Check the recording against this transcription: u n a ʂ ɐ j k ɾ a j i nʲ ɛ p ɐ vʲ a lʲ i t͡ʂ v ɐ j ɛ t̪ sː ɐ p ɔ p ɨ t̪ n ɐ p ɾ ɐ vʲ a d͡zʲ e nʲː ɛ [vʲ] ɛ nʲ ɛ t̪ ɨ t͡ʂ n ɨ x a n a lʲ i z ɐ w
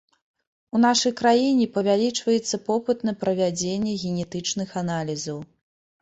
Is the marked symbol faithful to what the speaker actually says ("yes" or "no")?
no